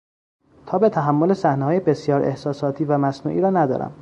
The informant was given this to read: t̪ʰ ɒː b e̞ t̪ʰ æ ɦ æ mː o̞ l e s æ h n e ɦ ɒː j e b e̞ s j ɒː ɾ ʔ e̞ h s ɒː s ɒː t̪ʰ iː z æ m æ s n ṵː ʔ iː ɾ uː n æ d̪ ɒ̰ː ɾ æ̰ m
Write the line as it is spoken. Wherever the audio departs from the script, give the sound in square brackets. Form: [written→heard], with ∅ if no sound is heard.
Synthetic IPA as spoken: t̪ʰ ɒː b e̞ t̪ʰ æ ɦ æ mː o̞ l e s æ h n e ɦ ɒː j e b e̞ s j ɒː ɾ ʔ e̞ h s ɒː s ɒː t̪ʰ iː [z→v] æ m æ s n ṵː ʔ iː ɾ [uː→ɒː] n æ d̪ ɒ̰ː ɾ æ̰ m